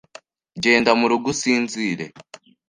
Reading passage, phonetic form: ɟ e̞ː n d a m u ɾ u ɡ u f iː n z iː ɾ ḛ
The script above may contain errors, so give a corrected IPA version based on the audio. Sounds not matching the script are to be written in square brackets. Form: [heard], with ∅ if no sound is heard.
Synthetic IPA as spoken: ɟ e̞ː n d a m u ɾ u ɡ u [s] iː n z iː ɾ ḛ